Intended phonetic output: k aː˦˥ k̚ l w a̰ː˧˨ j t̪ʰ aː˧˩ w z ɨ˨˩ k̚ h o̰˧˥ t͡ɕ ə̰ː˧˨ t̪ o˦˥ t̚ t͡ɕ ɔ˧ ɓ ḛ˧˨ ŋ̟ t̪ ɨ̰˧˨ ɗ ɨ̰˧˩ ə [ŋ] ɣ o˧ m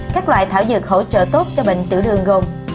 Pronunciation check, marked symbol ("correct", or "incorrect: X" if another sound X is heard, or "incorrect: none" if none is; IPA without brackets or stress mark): correct